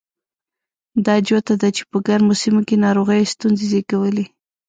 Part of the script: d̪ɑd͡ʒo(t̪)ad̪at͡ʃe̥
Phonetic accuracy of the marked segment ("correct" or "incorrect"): correct